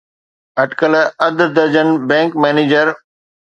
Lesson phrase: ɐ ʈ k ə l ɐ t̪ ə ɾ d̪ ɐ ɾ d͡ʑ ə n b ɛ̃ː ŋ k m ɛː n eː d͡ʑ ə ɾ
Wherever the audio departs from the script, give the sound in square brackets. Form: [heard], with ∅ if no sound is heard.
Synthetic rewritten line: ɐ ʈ k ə l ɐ [d̪] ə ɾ d̪ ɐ ɾ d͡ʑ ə n b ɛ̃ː ŋ k m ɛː n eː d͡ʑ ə ɾ